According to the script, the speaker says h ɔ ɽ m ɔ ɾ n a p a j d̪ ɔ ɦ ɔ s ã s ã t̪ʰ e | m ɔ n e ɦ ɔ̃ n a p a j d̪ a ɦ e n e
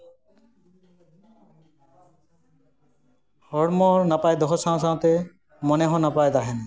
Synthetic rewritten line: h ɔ ɽ m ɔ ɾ n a p a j d̪ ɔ ɦ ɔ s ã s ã t̪ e | m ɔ n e ɦ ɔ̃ n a p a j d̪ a ɦ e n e